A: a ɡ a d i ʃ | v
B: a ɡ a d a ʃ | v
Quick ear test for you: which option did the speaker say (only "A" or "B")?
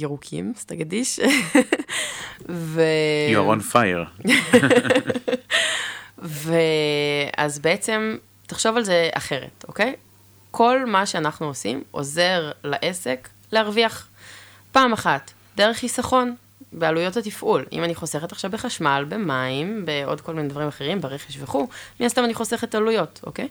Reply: A